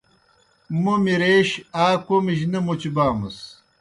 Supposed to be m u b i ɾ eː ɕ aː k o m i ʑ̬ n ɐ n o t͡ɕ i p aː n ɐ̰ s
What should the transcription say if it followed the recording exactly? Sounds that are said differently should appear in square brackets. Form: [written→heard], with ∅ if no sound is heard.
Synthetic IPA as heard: m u [b→m] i ɾ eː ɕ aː k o m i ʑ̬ n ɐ [n→m] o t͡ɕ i [p→b] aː [n→m] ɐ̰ s